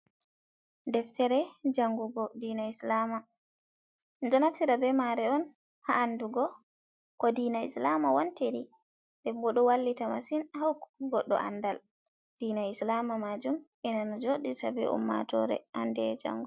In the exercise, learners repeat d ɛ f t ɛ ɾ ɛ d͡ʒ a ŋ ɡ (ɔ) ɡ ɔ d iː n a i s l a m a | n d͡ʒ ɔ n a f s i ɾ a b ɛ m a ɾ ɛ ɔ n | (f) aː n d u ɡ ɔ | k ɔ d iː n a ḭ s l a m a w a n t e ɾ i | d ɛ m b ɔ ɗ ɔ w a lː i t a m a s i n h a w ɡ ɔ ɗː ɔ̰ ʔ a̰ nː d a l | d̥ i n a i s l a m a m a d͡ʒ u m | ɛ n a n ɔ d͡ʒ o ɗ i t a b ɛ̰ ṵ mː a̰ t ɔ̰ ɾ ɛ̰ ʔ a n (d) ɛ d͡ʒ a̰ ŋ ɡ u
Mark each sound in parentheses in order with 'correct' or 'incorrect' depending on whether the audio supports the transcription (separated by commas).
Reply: incorrect, incorrect, correct